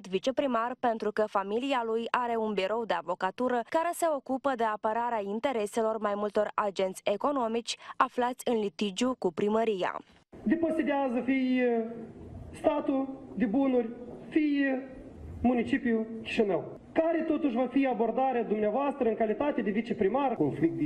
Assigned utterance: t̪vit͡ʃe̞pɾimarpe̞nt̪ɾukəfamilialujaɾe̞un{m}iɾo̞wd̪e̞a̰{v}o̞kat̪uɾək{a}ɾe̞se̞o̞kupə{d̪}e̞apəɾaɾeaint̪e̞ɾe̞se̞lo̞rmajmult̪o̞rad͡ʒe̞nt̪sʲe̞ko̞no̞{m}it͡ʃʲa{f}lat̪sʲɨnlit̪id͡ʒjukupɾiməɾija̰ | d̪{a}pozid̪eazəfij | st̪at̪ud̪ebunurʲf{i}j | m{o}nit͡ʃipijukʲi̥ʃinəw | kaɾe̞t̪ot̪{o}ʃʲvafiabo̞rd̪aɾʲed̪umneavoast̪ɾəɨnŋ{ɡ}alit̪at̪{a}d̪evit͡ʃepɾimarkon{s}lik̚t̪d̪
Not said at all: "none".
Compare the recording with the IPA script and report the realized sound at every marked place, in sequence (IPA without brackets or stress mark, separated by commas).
b, v, a, d̪, m, f, e, i, u, u, k, e, f